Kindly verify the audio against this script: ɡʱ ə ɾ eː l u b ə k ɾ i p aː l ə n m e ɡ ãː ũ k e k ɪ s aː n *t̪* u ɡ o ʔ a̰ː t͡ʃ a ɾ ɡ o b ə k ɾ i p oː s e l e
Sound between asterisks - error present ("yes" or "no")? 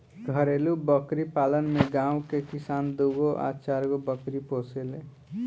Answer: yes